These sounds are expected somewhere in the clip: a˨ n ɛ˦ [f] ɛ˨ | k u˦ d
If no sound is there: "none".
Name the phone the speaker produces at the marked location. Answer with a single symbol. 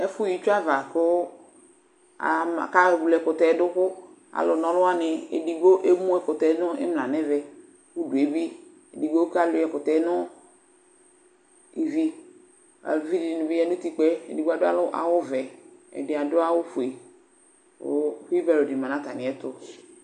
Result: v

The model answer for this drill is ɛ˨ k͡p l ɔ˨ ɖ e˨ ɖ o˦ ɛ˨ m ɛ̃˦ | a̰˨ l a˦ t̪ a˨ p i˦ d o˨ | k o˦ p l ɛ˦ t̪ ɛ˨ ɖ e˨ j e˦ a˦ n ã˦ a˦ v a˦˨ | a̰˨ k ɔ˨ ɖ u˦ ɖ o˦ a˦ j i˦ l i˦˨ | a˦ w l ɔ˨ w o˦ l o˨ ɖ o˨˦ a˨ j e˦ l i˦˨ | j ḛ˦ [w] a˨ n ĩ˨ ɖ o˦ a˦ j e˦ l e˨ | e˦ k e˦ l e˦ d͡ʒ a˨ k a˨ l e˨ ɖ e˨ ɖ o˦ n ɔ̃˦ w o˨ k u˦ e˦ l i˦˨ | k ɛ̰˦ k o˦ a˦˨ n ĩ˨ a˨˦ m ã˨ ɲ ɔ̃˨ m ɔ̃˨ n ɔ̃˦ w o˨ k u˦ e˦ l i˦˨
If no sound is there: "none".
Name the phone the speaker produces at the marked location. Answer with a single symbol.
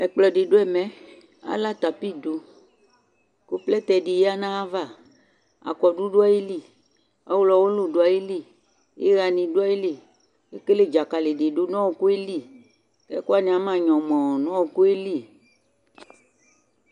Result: ɣ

